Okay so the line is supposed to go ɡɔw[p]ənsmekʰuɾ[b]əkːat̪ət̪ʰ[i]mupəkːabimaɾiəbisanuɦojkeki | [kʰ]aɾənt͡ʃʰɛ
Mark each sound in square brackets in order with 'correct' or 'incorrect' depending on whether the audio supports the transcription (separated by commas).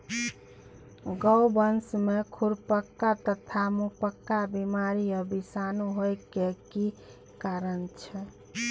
incorrect, incorrect, incorrect, incorrect